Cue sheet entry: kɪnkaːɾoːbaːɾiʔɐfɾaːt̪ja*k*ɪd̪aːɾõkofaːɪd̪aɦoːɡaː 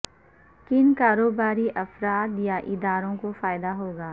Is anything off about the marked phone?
yes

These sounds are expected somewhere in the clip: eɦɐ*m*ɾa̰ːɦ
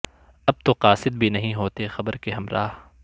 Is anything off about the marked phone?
no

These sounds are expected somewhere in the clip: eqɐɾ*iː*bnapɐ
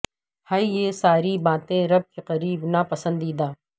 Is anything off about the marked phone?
no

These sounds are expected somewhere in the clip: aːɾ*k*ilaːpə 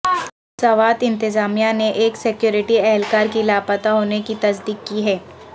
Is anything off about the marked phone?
no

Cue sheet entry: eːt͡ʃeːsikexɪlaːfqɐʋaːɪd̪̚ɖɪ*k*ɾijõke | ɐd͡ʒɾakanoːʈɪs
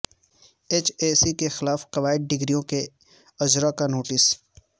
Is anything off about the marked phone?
yes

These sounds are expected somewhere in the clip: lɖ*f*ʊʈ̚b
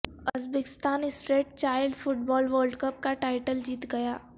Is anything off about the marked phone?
no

